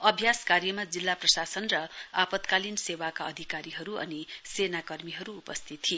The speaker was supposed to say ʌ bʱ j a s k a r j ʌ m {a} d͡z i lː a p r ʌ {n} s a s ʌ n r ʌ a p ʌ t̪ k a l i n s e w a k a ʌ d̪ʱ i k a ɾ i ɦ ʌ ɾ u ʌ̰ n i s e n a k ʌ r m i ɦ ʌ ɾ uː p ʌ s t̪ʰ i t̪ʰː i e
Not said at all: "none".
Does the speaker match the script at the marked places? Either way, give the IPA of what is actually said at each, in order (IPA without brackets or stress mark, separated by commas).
a, none